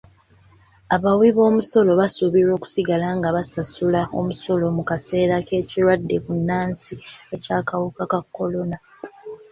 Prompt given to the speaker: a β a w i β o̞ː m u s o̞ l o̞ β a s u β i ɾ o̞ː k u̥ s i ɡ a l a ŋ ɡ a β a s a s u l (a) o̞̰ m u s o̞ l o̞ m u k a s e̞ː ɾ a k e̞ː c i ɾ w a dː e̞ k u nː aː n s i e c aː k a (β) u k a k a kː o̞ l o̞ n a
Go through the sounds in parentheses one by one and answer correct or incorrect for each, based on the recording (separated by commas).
correct, incorrect